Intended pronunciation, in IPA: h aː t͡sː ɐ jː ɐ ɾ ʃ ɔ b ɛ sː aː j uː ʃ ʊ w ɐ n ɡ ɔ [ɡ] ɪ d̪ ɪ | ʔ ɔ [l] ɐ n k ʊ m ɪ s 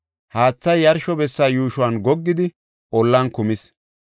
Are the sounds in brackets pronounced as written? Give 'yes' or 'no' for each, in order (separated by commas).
no, no